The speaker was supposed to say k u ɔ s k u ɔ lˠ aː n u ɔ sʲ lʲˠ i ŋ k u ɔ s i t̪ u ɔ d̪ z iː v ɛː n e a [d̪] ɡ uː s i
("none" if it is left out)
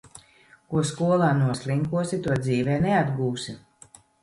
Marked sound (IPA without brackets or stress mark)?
d̪